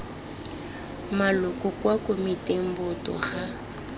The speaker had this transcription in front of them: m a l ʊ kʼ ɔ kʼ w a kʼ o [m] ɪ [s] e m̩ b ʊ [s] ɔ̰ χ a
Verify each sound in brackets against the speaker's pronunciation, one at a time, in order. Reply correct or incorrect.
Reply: correct, incorrect: t, incorrect: t

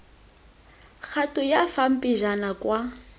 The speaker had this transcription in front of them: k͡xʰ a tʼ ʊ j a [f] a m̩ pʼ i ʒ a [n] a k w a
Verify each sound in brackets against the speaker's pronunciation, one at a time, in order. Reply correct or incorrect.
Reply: correct, correct

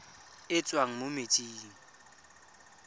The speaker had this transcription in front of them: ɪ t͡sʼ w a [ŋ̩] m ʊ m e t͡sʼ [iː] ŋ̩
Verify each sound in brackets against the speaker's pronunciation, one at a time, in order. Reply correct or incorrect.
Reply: correct, correct

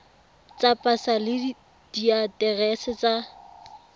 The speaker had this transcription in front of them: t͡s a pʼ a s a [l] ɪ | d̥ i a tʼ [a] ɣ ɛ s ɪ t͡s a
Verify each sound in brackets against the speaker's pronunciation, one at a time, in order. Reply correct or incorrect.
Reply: correct, incorrect: ɛ

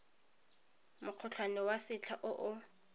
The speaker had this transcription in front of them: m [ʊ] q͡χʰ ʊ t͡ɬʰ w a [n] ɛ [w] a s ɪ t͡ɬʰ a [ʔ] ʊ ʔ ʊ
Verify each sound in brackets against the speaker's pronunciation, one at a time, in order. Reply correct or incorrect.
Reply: correct, correct, correct, correct

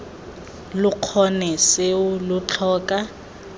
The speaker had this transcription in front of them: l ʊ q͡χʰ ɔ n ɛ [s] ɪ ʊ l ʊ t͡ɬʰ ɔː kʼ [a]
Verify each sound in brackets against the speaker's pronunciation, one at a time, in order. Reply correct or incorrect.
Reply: correct, correct

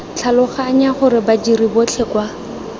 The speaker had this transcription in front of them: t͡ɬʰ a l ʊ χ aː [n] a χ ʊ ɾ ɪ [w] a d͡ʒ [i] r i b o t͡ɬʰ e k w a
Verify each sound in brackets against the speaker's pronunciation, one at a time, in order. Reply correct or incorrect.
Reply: incorrect: ɲ, incorrect: b, correct

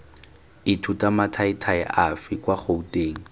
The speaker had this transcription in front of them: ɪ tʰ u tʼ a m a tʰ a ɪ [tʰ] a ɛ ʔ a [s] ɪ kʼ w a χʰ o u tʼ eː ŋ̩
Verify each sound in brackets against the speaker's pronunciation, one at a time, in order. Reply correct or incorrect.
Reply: correct, incorrect: f

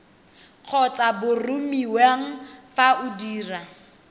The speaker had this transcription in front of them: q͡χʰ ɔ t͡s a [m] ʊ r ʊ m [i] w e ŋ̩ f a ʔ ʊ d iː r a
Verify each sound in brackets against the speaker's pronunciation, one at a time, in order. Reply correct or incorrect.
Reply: incorrect: b, correct

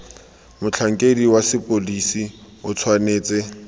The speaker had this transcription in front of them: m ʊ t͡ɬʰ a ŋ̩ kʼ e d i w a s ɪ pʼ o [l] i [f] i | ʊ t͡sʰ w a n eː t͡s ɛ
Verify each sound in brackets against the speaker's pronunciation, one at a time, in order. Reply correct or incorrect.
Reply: correct, incorrect: s

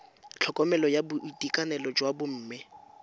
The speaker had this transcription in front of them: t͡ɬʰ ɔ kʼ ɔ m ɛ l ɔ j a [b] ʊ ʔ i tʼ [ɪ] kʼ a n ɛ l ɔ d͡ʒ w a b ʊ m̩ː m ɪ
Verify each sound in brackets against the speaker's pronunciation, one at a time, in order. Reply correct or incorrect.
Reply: correct, incorrect: i

